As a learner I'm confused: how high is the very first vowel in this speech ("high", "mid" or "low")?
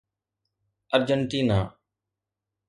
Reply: mid